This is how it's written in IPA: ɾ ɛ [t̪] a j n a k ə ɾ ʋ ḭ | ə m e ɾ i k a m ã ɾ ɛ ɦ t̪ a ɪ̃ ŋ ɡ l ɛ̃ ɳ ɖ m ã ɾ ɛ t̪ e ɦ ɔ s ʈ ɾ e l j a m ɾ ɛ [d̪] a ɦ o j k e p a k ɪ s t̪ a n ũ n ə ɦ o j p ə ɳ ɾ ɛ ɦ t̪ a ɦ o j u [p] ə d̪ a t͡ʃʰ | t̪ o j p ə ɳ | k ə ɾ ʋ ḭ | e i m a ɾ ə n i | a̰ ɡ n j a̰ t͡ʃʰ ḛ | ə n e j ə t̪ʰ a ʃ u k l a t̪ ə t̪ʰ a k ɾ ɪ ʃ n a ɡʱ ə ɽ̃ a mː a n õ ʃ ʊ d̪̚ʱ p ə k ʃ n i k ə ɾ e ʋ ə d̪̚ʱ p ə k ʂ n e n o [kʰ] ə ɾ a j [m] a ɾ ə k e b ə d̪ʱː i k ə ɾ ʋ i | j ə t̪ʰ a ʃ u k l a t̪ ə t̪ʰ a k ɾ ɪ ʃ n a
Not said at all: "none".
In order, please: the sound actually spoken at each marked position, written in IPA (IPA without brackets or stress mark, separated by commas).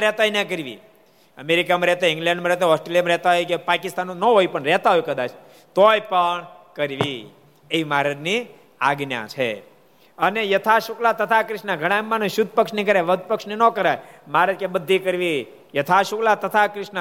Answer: t̪, t̪, k, k, m